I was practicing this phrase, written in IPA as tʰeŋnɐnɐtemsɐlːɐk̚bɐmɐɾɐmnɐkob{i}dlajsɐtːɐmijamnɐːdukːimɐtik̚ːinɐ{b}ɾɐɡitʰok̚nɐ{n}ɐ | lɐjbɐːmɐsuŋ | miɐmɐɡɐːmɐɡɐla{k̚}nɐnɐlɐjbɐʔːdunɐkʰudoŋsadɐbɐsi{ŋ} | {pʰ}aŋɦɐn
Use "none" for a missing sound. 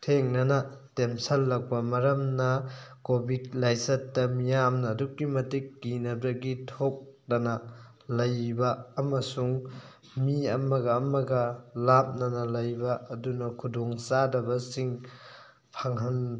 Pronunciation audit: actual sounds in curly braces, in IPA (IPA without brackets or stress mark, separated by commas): i, b, n, p̚, ŋ, pʰ